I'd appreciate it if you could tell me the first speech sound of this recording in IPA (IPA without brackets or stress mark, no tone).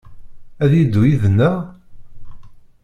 æ